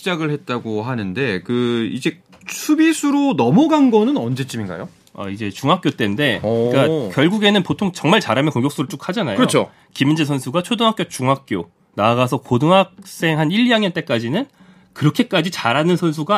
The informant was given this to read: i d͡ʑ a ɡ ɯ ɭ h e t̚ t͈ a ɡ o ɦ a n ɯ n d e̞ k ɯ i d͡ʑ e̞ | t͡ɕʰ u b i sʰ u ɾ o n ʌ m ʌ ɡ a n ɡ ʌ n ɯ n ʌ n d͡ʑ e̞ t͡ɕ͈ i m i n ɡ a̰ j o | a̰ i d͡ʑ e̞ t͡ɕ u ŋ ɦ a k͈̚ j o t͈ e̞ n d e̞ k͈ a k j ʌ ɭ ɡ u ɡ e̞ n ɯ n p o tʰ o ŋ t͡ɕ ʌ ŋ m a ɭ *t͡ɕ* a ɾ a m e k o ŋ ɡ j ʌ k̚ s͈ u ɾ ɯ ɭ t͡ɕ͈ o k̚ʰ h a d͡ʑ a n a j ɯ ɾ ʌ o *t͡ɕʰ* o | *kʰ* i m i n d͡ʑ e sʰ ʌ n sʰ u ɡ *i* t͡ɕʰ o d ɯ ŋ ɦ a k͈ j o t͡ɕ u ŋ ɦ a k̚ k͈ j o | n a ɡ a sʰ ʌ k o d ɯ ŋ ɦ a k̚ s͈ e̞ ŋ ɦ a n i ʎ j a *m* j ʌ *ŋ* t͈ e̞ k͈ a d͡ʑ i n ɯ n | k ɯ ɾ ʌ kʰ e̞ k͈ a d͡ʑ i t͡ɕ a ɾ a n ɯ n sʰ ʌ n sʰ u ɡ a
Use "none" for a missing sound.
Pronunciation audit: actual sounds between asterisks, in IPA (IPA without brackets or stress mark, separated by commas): t͡ɕ, t͡ɕʰ, k, a, ŋ, n